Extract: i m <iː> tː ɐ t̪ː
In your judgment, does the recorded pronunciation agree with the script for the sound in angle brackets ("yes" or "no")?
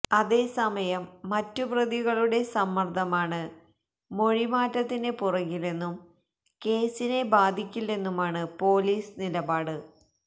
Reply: no